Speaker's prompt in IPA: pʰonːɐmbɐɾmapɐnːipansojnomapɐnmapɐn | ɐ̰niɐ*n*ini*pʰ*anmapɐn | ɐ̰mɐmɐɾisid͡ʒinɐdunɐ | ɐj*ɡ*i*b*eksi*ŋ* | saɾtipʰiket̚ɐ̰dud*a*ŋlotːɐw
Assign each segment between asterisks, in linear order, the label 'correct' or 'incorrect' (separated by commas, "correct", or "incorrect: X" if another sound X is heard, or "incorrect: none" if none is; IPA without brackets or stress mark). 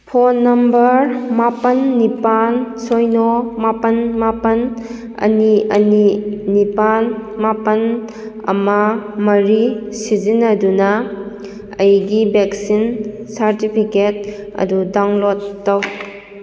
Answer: correct, incorrect: p, correct, correct, incorrect: n, correct